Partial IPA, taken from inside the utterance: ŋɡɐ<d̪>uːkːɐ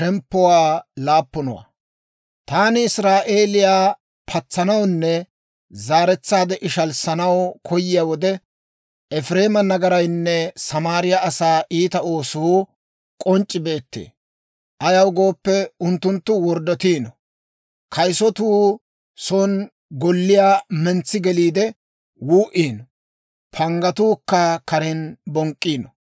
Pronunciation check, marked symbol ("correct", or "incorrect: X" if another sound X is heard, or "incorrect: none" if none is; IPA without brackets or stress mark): incorrect: t̪